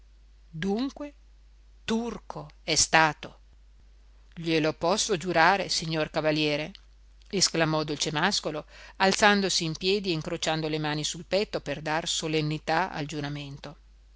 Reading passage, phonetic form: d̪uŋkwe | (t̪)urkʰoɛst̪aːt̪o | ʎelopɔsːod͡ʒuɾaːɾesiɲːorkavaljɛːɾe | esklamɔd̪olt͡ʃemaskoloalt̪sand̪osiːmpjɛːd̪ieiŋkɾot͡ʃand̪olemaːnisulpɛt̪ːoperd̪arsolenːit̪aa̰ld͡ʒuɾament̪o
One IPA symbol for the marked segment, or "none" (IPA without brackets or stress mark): t̪